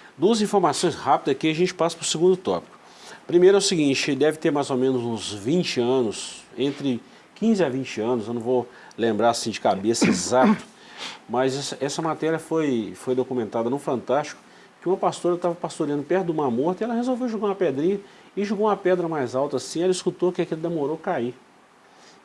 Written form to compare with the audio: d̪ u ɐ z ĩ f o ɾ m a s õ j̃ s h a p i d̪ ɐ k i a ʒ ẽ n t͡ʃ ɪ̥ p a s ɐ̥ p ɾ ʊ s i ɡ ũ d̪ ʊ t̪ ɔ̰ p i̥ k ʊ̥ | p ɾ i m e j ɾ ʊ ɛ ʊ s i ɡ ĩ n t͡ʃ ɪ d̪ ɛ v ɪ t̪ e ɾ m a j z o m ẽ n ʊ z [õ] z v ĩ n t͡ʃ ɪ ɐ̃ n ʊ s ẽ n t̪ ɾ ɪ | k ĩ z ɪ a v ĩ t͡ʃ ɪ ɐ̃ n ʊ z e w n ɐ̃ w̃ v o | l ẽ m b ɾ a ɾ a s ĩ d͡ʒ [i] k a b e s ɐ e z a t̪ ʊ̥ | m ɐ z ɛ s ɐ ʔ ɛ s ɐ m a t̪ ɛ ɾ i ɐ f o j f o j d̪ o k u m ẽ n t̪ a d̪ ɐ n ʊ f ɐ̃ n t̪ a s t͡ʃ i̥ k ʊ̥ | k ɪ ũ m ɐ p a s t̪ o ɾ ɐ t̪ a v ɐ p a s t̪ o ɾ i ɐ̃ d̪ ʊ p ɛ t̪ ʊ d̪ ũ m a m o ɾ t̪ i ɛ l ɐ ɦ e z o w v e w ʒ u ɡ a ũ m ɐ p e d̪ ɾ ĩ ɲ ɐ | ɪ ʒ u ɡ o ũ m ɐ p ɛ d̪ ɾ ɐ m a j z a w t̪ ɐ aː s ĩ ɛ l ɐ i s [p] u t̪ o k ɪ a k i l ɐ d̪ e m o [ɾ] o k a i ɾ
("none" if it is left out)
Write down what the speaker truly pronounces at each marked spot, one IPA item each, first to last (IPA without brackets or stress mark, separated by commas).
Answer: ũ, ɪ, k, ɾ